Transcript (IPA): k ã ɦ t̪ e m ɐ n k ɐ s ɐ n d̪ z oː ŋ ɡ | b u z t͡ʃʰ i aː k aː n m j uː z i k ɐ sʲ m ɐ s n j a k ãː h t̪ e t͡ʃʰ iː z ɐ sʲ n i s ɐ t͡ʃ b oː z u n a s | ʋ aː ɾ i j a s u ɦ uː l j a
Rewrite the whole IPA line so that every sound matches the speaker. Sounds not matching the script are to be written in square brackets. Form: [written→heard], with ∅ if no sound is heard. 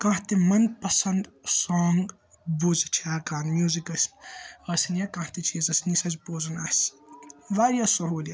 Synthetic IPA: k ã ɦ t̪ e m ɐ n [k→p] ɐ s ɐ n d̪ [z→s] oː ŋ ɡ | b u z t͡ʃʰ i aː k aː n m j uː z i k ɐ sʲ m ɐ s n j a k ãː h t̪ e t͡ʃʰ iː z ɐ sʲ n i s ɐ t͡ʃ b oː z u n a s | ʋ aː ɾ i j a s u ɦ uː l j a

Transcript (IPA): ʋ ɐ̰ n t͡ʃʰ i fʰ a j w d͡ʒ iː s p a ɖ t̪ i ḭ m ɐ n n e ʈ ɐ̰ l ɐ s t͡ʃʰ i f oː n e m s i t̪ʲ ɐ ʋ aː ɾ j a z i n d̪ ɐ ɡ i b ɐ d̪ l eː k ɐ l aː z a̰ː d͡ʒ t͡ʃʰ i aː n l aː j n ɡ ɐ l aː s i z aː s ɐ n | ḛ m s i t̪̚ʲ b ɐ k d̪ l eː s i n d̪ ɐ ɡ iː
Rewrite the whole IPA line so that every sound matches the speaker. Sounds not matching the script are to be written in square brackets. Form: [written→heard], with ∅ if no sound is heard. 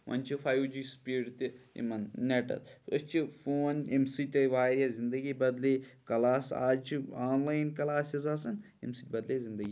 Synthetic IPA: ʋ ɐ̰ n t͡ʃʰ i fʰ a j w d͡ʒ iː s p [a→i] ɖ t̪ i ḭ m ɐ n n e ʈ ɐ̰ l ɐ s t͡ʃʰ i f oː n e m s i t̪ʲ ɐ ʋ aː ɾ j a z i n d̪ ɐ ɡ i b ɐ d̪ l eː k ɐ l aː [z→s] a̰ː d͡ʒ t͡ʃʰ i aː n l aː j n [ɡ→k] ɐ l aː s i z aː s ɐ n | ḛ m s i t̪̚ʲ b ɐ [k→∅] d̪ l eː [s→z] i n d̪ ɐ ɡ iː

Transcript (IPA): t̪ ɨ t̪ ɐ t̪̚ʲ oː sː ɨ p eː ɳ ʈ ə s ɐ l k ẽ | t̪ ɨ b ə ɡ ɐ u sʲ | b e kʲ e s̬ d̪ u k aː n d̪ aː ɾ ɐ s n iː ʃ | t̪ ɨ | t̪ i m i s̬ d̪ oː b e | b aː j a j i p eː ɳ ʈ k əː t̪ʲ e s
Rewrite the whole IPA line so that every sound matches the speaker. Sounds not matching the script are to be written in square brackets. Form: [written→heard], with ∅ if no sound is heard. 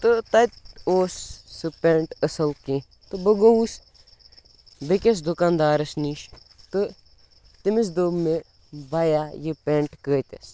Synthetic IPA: t̪ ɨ t̪ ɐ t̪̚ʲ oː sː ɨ p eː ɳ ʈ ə s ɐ l k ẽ | t̪ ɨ b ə ɡ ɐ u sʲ | b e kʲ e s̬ d̪ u k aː n d̪ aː ɾ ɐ s n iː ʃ | t̪ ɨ | t̪ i m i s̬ d̪ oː [b→m] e | b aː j a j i p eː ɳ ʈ k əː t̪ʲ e s

